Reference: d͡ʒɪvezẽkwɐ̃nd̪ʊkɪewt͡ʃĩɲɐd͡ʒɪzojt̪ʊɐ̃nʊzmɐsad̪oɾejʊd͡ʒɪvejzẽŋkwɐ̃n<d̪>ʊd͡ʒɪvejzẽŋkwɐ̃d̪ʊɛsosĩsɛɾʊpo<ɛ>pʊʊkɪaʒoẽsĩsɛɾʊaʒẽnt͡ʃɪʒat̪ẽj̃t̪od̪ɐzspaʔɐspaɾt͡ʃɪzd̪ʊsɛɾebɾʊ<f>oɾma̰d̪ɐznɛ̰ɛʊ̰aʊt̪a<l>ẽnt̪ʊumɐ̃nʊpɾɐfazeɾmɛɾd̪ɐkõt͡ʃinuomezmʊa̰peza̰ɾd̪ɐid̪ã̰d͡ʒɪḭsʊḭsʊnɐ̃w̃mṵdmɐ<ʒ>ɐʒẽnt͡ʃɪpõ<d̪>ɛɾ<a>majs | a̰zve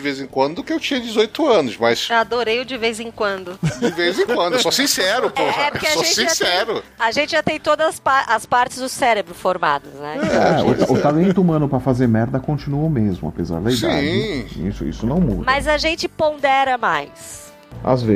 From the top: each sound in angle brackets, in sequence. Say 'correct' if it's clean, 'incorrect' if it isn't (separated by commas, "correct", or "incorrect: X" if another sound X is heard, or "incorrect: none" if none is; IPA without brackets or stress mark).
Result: correct, correct, correct, correct, incorrect: z, correct, incorrect: ɐ